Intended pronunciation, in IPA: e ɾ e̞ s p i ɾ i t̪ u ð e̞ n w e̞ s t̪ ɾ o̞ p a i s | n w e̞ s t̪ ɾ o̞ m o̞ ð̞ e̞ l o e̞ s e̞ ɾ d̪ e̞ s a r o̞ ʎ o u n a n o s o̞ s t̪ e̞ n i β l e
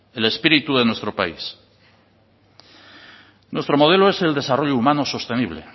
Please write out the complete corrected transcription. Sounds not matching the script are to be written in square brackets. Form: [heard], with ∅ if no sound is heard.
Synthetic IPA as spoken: e [l] e̞ s p i ɾ i t̪ u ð e̞ n w e̞ s t̪ ɾ o̞ p a i s | n w e̞ s t̪ ɾ o̞ m o̞ ð̞ e̞ l o e̞ s e̞ [l] d̪ e̞ s a r o̞ ʎ o u [m] a n o s o̞ s t̪ e̞ n i β l e

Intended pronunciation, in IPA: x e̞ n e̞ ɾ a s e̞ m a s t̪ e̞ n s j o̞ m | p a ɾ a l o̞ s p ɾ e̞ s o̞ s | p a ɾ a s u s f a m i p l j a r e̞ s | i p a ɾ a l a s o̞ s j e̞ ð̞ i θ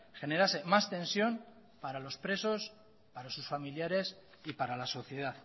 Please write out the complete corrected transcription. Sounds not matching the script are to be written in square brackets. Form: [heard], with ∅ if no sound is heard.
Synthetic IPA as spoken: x e̞ n e̞ ɾ a s e̞ m a s t̪ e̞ n s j o̞ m | p a ɾ a l o̞ s p ɾ e̞ s o̞ s | p a ɾ a s u s f a m i [∅] l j a [ɾ] e̞ s | i p a ɾ a l a s o̞ [θ] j e̞ ð̞ [a] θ

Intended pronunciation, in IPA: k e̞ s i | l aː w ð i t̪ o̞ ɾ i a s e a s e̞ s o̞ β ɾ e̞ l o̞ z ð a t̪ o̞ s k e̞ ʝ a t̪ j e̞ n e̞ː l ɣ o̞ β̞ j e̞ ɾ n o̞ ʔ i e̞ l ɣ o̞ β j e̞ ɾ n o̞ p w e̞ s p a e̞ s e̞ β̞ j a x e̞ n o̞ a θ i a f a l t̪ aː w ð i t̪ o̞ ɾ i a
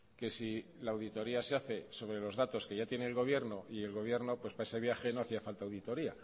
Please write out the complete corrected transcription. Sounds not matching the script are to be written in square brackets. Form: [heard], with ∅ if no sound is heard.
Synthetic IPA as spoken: k e̞ s i | l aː w ð i t̪ o̞ ɾ i a s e a [θ] e̞ s o̞ β ɾ e̞ l o̞ z ð a t̪ o̞ s k e̞ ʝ a t̪ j e̞ n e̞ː l ɣ o̞ β̞ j e̞ ɾ n o̞ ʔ i e̞ l ɣ o̞ β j e̞ ɾ n o̞ p w e̞ s p a e̞ s e̞ β̞ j a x e̞ n o̞ a θ i a f a l t̪ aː w ð i t̪ o̞ ɾ i a

